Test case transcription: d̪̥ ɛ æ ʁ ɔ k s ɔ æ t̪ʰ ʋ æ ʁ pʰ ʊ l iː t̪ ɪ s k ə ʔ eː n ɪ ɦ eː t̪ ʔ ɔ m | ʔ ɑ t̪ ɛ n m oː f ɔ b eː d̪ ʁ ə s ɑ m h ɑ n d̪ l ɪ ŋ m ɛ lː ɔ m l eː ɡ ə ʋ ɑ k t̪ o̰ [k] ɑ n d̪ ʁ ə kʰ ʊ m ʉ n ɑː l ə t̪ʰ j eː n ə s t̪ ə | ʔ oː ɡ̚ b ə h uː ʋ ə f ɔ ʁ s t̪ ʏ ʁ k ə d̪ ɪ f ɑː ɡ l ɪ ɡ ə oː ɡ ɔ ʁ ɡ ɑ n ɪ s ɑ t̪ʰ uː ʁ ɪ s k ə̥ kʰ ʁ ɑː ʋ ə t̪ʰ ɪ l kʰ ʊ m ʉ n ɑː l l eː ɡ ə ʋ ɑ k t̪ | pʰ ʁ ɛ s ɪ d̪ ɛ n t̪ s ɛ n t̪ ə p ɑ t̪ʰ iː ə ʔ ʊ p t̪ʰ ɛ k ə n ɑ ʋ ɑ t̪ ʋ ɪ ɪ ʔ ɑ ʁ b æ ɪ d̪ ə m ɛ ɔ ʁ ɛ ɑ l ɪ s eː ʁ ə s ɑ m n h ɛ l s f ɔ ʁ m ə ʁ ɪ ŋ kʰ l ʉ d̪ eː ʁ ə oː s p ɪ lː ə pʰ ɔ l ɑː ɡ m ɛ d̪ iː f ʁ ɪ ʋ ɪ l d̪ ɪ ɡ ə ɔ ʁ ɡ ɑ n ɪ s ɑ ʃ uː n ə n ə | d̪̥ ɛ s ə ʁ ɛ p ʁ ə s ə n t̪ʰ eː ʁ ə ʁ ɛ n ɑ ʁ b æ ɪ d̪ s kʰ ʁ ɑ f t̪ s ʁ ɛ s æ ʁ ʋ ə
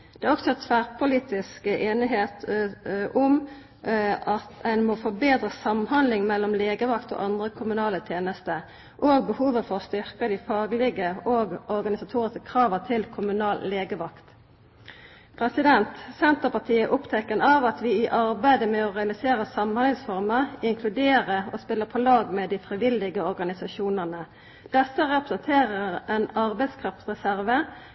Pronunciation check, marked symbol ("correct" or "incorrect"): incorrect